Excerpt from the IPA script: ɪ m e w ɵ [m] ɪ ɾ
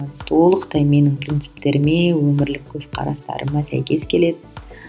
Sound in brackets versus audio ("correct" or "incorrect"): correct